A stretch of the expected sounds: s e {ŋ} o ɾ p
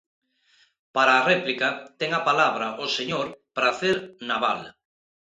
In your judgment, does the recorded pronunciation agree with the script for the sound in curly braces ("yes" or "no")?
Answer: no